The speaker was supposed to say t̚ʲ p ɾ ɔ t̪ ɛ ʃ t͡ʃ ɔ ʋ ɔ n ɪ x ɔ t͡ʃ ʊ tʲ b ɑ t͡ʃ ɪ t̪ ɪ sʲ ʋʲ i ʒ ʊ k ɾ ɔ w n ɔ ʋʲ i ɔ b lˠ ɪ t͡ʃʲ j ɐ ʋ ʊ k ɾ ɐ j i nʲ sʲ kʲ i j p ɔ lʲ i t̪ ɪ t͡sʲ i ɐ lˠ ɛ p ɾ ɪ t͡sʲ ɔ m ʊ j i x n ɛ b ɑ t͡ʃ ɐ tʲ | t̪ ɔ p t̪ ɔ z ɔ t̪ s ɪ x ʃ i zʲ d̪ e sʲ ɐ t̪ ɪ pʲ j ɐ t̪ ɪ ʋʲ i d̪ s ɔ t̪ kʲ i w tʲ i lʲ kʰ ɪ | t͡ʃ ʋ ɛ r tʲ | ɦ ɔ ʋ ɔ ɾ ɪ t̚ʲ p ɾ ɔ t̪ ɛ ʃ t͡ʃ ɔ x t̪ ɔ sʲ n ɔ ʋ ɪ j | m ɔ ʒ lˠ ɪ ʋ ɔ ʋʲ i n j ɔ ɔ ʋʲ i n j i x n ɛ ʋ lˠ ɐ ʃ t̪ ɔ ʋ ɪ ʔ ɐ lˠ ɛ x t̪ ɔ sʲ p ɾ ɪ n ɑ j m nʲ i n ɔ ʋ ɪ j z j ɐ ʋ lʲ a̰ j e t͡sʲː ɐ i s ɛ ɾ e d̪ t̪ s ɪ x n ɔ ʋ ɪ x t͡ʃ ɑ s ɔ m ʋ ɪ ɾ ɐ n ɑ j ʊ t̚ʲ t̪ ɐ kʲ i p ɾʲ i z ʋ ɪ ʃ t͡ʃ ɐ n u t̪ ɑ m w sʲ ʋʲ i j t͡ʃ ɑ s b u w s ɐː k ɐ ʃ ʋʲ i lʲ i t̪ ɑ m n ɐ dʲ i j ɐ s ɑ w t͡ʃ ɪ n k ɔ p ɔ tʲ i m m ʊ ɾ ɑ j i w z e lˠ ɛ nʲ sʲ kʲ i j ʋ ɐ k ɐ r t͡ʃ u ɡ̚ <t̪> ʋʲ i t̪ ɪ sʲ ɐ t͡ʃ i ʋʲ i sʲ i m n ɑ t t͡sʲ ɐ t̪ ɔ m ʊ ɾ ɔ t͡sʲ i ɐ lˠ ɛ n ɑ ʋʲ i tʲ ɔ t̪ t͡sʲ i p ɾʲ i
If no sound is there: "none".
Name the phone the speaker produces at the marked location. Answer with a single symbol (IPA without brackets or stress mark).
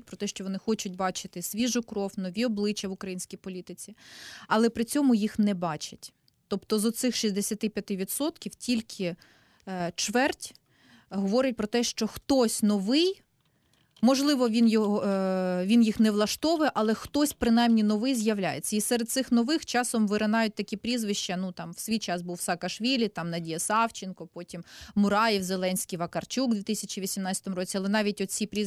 d̪